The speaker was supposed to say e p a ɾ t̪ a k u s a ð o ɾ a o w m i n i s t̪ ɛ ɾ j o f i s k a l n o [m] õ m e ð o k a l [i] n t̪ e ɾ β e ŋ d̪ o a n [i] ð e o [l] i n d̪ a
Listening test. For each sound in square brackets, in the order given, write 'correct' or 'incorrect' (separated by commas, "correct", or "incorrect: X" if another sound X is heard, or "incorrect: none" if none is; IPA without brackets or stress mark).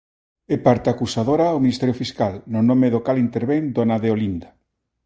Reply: incorrect: n, correct, incorrect: a, correct